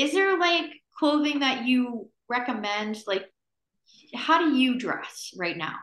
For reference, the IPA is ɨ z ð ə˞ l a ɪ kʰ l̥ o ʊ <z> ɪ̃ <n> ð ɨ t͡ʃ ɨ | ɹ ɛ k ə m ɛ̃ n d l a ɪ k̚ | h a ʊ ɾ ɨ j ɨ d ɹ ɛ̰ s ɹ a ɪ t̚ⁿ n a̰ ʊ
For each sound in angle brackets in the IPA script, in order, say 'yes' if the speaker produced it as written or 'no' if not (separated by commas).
no, no